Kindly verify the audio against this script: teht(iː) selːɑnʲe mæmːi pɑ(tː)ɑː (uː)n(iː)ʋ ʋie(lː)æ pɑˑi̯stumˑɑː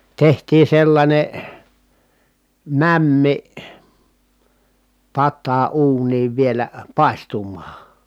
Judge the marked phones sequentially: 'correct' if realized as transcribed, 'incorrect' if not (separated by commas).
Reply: correct, correct, correct, correct, incorrect